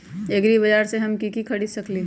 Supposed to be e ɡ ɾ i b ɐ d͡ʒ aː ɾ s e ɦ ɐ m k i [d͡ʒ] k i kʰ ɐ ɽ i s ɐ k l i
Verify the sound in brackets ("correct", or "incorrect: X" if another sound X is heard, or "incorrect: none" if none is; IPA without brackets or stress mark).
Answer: incorrect: none